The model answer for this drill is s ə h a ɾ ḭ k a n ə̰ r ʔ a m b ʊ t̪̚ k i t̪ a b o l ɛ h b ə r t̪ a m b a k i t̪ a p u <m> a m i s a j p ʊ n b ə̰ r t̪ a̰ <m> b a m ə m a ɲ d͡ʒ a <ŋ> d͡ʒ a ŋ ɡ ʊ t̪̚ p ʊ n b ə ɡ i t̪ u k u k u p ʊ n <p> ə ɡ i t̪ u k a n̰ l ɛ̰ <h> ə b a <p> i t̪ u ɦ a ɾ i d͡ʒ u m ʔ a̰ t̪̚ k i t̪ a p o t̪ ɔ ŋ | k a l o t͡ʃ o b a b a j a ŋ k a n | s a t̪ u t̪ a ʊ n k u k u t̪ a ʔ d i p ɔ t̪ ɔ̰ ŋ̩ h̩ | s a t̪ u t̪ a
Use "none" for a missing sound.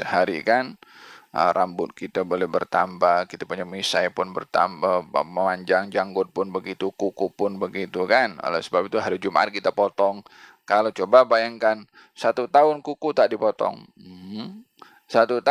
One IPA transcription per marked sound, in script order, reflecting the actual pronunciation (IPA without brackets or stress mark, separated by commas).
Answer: ɲ, m, ŋ, b, s, p